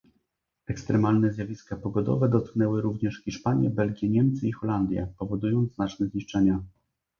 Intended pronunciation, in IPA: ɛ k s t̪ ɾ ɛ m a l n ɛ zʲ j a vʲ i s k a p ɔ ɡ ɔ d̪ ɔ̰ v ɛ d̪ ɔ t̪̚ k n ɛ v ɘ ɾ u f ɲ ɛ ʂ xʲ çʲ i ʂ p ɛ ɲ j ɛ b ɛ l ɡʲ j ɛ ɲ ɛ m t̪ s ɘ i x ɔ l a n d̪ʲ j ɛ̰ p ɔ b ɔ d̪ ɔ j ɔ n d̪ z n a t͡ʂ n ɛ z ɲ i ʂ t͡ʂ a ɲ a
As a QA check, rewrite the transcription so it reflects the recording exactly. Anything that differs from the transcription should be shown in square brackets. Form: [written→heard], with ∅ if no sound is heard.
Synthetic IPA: ɛ k s t̪ ɾ ɛ m a l n ɛ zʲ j a vʲ i s k a p ɔ ɡ ɔ d̪ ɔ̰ v ɛ d̪ ɔ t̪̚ k n ɛ [v→w] ɘ ɾ u [f→v] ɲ ɛ ʂ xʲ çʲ i ʂ p [ɛ→a] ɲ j ɛ b ɛ l ɡʲ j ɛ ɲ ɛ m t̪ s ɘ i x ɔ l a n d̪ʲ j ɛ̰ p ɔ [b→v] ɔ d̪ [ɔ→u] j ɔ n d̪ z n a t͡ʂ n ɛ z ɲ i ʂ t͡ʂ [a→ɛ] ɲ a